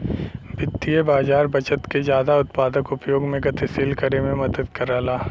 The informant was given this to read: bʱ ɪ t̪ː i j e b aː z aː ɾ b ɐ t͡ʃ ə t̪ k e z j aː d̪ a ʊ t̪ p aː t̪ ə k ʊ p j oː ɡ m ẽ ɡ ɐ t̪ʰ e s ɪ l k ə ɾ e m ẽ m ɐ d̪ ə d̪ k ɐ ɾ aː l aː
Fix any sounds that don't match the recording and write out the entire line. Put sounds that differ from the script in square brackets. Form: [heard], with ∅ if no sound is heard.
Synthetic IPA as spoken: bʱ ɪ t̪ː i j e b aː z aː ɾ b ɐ t͡ʃ ə t̪ k e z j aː d̪ a ʊ t̪ p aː [d̪] ə k ʊ p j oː ɡ m ẽ ɡ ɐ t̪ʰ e s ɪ l k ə ɾ e m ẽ m ɐ d̪ ə d̪ k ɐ ɾ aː l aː